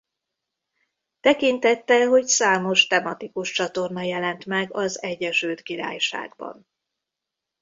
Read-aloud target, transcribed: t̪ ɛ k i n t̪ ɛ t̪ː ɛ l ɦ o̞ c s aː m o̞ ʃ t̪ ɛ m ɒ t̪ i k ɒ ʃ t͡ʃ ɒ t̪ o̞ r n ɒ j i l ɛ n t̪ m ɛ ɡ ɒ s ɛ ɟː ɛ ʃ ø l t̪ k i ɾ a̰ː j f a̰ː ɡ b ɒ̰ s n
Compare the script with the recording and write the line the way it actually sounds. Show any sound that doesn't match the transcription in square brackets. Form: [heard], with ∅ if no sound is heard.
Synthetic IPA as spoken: t̪ ɛ k i n t̪ ɛ t̪ː ɛ l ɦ o̞ c s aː m o̞ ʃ t̪ ɛ m ɒ t̪ i k [u] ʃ t͡ʃ ɒ t̪ o̞ r n ɒ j [ɛ] l ɛ n t̪ m ɛ ɡ ɒ [z] ɛ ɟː ɛ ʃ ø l t̪ k i ɾ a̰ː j [ʃ] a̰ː ɡ b ɒ̰ [∅] n